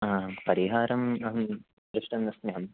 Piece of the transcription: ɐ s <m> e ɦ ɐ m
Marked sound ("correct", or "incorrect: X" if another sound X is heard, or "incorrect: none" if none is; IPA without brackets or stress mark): incorrect: n